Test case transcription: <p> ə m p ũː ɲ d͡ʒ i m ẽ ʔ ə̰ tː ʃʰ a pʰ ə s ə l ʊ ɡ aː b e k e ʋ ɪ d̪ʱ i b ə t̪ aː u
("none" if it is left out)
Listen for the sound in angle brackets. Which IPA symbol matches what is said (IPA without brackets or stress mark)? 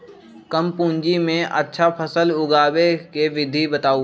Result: k